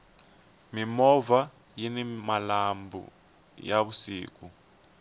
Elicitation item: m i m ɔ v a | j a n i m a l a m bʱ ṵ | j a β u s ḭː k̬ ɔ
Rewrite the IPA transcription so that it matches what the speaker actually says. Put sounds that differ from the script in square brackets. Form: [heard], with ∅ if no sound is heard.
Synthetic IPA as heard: m i m ɔ v a | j [i] n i m a l a m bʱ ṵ | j a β u s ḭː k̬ [u]